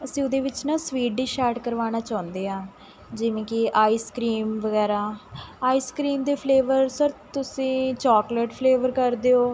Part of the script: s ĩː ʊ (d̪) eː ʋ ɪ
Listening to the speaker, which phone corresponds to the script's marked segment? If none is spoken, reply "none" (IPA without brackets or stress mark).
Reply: d̪